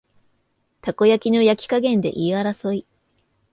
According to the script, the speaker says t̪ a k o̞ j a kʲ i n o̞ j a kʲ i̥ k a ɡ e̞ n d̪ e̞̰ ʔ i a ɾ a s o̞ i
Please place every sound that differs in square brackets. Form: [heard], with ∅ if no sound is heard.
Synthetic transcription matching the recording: t̪ a k o̞ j a kʲ i n o̞ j a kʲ i̥ k a ɡ [ẽ̞] n d̪ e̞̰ ʔ i a ɾ a s o̞ i